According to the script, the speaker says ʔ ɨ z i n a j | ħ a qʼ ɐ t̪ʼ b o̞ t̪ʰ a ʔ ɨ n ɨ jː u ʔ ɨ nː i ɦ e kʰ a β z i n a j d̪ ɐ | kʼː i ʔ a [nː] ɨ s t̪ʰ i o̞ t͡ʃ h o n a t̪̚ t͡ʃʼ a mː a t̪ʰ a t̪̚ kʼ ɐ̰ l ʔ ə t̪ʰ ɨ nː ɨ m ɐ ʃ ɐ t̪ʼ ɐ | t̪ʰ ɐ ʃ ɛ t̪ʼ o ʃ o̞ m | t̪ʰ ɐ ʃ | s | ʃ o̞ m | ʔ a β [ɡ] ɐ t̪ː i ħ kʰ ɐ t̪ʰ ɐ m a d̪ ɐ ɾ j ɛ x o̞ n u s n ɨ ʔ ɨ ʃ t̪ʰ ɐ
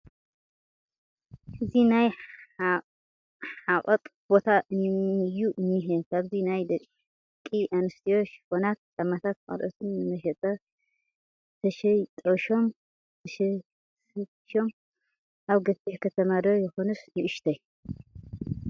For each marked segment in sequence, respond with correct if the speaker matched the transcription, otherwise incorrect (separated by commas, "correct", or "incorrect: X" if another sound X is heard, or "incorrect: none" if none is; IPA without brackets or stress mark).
incorrect: n, correct